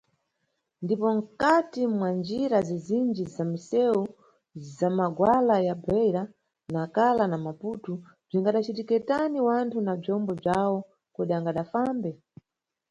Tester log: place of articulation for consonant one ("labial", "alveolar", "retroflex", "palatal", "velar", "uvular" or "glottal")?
alveolar